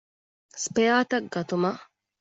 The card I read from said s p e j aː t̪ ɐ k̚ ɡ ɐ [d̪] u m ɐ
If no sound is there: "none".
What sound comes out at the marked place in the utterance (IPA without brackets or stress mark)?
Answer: t̪